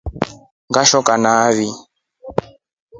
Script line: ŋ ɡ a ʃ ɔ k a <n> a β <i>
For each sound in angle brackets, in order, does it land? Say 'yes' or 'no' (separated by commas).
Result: yes, yes